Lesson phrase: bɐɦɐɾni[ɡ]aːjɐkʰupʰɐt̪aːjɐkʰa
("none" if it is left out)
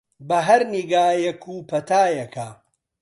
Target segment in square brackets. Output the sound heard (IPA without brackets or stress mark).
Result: ɡ